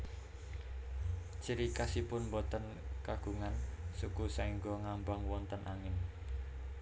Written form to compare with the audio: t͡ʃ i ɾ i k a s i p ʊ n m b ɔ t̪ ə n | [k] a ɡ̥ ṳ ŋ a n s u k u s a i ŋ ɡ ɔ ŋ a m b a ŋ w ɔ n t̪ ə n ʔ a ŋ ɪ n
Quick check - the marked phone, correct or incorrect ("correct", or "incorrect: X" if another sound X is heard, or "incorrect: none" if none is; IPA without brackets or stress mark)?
correct